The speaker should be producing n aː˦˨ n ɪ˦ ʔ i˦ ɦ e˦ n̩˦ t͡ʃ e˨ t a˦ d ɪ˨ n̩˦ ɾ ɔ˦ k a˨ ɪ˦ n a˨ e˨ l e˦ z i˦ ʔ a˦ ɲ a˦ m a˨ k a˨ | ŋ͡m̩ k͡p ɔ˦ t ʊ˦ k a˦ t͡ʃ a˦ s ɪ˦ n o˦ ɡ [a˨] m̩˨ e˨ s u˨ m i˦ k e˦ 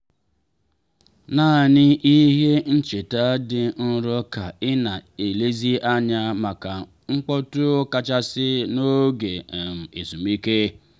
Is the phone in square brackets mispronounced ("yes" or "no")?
yes